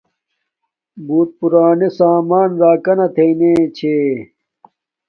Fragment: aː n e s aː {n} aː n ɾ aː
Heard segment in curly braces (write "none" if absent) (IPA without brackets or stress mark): m